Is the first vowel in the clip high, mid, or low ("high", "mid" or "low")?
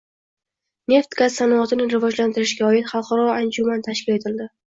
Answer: mid